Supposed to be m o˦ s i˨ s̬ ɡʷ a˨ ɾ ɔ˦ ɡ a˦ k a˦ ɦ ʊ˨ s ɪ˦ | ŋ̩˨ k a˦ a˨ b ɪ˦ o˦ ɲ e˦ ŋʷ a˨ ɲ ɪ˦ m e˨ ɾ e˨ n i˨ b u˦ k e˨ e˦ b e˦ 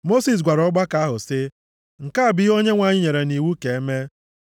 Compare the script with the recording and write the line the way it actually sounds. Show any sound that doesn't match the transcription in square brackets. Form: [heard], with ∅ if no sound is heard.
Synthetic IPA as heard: m o˦ s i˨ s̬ ɡʷ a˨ ɾ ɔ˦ [ɡ͡b] a˦ k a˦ ɦ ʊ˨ s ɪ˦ | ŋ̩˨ k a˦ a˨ b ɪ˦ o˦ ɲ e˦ ŋʷ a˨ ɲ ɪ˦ [ɲ] e˨ ɾ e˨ n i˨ [w] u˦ k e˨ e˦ [m] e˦